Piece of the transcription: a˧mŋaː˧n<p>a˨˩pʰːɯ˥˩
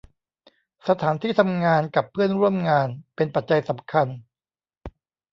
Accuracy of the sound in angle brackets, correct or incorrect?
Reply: incorrect